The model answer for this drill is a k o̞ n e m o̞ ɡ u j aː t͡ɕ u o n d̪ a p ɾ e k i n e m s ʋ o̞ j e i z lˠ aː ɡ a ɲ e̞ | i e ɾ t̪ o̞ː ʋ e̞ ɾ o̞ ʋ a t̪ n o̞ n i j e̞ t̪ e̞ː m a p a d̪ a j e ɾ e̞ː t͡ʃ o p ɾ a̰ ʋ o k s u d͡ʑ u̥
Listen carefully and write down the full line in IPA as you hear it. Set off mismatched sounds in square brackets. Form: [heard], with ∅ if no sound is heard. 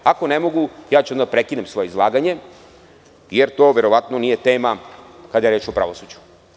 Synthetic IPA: a k o̞ n e m o̞ ɡ u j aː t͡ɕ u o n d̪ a p ɾ e k i n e m s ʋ o̞ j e i z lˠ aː ɡ a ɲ e̞ | [j] e ɾ t̪ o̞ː ʋ e̞ ɾ o̞ ʋ a t̪ n o̞ n i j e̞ t̪ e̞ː m a [k] a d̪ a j e ɾ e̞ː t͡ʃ o p ɾ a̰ ʋ o [∅] s u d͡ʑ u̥